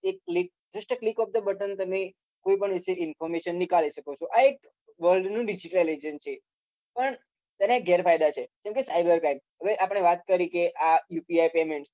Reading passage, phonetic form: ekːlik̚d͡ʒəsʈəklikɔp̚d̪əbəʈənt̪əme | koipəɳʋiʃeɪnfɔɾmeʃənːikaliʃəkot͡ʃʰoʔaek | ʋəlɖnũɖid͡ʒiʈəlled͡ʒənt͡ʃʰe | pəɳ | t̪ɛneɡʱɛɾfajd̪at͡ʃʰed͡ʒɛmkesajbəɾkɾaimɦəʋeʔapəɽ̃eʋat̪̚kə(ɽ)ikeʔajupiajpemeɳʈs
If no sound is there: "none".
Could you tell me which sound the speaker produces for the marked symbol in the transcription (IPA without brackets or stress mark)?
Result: ɾ